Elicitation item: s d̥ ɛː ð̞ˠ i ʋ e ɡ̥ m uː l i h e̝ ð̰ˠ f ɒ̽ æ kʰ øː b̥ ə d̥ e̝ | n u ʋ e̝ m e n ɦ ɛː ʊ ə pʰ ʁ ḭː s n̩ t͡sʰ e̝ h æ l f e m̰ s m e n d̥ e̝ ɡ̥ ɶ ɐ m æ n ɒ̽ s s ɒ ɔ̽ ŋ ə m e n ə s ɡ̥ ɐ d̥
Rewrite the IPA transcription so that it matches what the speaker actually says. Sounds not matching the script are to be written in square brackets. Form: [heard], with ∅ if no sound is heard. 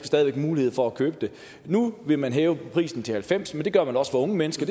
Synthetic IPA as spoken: s d̥ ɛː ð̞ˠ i ʋ e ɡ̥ m uː l i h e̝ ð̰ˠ f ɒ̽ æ kʰ øː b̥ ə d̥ e̝ | n u ʋ e̝ m [æ] n ɦ ɛː ʊ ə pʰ ʁ ḭː s n̩ t͡sʰ e̝ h æ l f e m̰ s m e n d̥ e̝ ɡ̥ ɶ ɐ m æ n ɒ̽ s [f] ɒ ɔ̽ ŋ ə m e n ə s ɡ̥ ɐ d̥